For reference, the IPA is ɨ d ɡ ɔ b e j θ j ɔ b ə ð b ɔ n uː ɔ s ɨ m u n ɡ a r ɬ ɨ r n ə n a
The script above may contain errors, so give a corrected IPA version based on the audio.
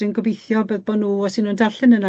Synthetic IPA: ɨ n ɡ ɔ b e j θ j ɔ b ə ð b ɔ n uː ɔ s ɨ n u n d a r ɬ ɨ n ə n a